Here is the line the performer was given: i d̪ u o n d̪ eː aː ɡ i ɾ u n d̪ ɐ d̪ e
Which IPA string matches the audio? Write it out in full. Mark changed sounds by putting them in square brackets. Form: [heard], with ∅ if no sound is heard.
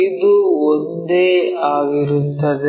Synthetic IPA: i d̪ u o n d̪ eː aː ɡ i ɾ u n [t̪] ɐ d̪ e